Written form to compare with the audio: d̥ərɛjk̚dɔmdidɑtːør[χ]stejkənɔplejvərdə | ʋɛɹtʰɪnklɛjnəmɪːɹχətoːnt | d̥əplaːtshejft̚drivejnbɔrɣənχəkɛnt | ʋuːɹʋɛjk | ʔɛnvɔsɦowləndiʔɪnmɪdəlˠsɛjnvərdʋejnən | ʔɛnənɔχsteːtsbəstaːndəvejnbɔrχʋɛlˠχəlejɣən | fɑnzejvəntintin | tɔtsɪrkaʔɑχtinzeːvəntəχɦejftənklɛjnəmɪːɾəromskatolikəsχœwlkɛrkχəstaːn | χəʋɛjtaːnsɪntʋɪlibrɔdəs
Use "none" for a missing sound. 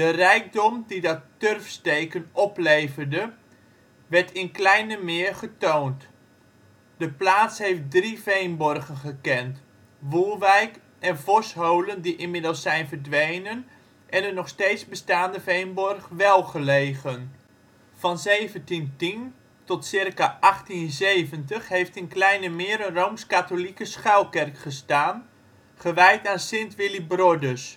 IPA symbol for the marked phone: f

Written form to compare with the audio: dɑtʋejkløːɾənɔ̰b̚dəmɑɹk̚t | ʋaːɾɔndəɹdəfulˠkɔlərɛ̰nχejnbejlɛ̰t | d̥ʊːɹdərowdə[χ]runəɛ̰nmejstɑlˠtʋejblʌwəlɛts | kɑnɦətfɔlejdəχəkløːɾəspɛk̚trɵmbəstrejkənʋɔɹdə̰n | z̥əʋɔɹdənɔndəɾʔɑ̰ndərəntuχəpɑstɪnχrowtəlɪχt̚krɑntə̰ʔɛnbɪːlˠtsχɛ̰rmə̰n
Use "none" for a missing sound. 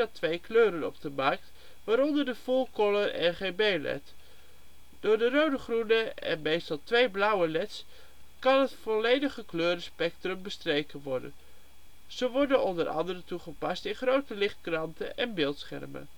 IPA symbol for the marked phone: χ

